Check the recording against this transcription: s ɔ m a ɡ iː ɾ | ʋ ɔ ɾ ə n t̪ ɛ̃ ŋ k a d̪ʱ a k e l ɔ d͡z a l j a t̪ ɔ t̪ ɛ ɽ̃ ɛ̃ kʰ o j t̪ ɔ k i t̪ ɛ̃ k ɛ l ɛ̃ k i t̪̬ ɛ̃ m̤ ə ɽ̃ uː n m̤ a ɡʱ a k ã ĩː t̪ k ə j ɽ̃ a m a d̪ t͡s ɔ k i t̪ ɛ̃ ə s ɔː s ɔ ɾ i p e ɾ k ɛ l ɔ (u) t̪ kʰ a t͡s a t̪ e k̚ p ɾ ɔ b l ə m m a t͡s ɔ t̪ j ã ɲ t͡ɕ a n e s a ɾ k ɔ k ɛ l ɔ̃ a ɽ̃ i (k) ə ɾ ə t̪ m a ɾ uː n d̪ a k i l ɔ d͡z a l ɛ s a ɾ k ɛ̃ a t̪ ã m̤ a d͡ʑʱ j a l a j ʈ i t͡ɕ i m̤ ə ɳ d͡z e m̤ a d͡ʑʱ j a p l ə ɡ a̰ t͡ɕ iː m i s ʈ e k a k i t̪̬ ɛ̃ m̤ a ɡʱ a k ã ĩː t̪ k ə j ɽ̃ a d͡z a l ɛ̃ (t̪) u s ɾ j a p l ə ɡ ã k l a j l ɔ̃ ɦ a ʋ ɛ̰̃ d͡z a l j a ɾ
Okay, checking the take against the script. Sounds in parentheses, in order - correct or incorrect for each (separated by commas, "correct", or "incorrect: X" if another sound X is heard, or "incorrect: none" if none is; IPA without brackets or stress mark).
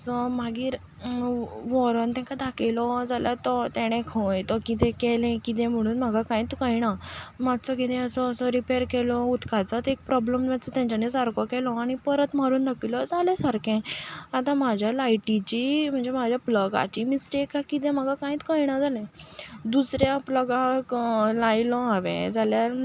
correct, incorrect: p, incorrect: d̪